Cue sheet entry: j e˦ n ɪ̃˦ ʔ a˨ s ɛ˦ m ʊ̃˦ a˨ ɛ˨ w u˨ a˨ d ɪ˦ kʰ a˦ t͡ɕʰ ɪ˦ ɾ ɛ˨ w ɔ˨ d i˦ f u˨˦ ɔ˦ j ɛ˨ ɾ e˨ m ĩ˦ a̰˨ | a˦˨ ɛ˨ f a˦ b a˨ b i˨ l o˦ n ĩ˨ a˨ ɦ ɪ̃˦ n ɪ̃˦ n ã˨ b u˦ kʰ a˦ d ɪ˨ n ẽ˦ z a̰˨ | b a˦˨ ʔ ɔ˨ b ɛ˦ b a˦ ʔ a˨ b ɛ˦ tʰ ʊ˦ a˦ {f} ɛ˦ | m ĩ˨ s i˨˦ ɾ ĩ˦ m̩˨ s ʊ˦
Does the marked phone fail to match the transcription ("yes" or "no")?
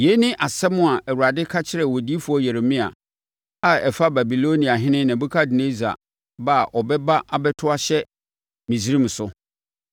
yes